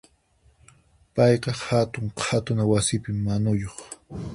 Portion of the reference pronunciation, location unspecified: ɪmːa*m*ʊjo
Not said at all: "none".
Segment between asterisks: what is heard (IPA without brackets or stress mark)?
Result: n